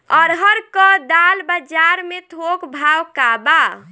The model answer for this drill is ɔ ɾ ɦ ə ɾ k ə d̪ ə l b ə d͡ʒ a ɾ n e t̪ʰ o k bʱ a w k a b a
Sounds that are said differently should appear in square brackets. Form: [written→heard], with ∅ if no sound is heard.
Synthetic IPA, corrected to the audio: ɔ ɾ ɦ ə ɾ k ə d̪ [ə→a] l b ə d͡ʒ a ɾ [n→m] e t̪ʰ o k bʱ a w k a b a